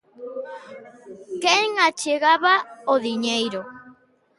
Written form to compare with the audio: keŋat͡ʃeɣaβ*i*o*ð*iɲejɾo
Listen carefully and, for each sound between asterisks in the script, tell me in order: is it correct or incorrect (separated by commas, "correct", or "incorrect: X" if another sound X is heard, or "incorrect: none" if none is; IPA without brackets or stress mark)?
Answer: incorrect: a, correct